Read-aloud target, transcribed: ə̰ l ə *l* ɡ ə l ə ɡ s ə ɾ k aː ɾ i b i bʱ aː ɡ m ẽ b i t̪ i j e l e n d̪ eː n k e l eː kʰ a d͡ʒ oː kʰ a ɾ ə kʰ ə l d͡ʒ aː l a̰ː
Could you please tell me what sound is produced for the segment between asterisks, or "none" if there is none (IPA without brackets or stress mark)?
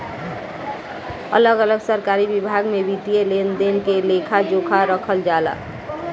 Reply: none